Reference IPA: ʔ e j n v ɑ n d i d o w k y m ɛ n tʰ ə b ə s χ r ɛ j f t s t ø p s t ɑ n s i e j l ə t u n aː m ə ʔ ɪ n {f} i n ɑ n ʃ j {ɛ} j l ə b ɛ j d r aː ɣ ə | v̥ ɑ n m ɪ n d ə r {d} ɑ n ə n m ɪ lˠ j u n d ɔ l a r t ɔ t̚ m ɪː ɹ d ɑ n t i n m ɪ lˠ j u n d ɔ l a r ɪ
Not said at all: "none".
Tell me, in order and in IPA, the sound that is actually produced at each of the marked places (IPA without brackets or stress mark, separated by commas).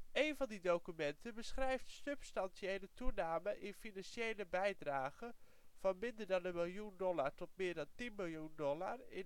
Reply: f, e, d